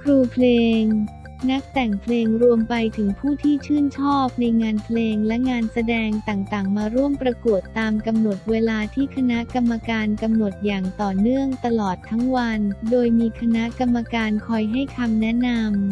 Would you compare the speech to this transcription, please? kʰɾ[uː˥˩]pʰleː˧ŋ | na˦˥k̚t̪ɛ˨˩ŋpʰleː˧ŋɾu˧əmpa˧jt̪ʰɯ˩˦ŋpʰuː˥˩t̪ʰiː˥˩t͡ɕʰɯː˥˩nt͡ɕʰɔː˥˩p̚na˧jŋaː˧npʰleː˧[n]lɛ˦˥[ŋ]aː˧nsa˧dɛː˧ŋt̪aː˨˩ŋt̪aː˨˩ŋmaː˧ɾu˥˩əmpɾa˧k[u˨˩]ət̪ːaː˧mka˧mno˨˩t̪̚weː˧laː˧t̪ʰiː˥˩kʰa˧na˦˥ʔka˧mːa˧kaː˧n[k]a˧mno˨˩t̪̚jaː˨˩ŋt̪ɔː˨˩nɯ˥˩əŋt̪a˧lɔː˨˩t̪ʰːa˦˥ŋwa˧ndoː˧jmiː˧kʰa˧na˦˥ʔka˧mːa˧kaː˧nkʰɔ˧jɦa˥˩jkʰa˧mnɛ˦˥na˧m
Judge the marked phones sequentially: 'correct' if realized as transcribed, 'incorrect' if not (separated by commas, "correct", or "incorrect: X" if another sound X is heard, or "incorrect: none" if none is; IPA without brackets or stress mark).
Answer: incorrect: uː˧, incorrect: ŋ, correct, correct, correct